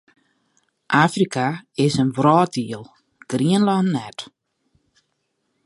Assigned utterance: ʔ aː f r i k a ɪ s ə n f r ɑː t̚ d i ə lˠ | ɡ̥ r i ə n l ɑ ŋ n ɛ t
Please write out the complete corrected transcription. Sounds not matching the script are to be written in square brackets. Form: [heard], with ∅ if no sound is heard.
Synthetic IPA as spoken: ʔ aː f r i k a ɪ s ə n [v] r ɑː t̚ d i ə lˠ | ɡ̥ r i ə n l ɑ [n] n ɛ t

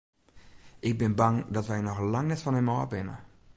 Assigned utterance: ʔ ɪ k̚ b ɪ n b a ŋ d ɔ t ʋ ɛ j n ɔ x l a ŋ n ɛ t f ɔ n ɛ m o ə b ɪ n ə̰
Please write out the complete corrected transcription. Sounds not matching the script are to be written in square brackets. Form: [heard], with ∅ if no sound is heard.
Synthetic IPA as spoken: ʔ ɪ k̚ b ɪ n b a ŋ d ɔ t ʋ ɛ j n ɔ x l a ŋ n ɛ t f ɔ n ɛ m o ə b ɪ n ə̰

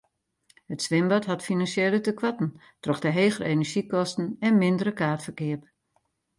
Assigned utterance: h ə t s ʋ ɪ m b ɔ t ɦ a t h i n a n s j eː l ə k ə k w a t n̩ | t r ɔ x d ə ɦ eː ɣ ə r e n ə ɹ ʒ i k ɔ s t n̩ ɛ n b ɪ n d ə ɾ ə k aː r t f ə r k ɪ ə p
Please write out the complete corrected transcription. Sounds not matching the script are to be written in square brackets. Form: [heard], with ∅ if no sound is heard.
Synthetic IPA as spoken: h ə t s ʋ ɪ m b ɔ t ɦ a t [f] i n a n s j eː l ə [t] ə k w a t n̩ | t r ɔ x d ə ɦ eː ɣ ə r e n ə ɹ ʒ i k ɔ s t n̩ ɛ n [m] ɪ n d ə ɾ ə k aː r t f ə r k ɪ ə p

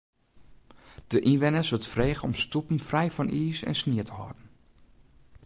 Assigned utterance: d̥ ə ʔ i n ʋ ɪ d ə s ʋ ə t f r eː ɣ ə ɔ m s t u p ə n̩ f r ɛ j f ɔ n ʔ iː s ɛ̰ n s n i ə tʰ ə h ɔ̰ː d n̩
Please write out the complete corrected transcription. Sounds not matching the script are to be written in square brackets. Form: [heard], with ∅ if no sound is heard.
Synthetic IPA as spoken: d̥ ə ʔ i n ʋ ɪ [n] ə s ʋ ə t f r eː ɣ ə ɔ m s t u p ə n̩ f r ɛ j f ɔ n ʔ iː s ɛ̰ n s n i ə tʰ ə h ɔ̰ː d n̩

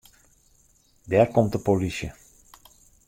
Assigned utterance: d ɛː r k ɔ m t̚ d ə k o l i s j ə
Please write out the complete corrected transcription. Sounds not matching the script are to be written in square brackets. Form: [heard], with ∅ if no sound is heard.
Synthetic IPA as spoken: d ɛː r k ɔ m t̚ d ə [p] o l i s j ə

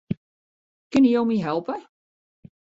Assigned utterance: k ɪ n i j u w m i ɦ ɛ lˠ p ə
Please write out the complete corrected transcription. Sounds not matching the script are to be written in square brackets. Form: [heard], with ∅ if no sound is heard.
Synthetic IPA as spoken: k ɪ n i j [o] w m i ɦ ɛ lˠ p ə

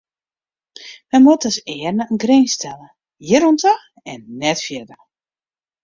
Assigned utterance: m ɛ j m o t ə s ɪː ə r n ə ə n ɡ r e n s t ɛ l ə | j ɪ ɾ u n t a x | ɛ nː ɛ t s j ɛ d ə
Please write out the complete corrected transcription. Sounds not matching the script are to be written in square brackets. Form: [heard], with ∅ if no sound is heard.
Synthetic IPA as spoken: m ɛ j m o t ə s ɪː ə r n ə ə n ɡ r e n s t ɛ l ə | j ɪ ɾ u n t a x | ɛ nː ɛ t [f] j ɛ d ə

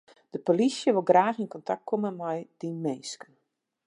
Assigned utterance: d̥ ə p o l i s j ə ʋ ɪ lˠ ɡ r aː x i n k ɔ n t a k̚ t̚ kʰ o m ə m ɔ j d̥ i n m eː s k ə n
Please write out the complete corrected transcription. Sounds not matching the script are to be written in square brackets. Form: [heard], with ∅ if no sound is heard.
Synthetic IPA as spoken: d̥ ə p o l i s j ə ʋ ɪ lˠ ɡ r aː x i n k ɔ n t a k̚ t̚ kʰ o m ə m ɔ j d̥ i n m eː s k ə n

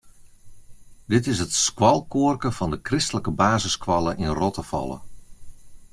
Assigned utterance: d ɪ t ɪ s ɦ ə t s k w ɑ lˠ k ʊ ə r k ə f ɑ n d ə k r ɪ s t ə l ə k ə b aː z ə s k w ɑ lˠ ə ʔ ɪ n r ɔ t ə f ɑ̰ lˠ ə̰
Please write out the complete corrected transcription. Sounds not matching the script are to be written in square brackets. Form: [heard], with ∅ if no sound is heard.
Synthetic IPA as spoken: d ɪ t ɪ s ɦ ə t s k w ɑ lˠ k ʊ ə r k ə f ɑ n d ə k r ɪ s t ə l ə k ə b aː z ə s k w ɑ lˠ ə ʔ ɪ n r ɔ t ə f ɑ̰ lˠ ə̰

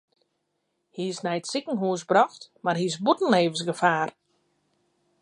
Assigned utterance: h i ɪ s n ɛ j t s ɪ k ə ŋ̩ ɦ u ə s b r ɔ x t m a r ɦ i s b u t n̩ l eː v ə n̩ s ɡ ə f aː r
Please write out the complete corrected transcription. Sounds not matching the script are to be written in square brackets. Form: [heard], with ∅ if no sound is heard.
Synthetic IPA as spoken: h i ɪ s n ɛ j t s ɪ k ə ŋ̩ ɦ u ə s b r ɔ x t m a r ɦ i s b u t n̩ l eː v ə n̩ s ɡ ə f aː r

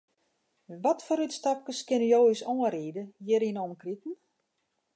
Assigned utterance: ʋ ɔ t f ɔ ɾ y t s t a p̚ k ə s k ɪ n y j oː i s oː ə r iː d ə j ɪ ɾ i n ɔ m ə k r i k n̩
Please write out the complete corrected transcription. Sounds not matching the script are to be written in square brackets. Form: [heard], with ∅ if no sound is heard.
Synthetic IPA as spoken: ʋ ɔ t f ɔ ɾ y t s t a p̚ k ə s k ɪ n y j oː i s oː ə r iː d ə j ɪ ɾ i n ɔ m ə k r i [t] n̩

